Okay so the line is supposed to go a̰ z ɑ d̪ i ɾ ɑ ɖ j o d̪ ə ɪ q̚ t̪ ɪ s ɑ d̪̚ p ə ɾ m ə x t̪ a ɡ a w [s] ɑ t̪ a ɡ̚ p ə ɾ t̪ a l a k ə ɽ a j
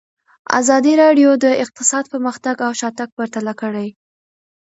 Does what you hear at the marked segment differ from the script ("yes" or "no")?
yes